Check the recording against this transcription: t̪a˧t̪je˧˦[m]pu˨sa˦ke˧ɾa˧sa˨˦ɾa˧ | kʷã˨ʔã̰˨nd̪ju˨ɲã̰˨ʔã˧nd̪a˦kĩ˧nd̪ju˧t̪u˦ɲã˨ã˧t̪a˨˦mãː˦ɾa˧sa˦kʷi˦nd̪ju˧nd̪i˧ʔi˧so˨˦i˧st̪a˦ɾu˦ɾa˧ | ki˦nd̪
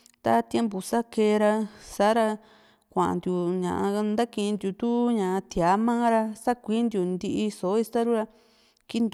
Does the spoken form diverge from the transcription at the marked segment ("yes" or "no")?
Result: no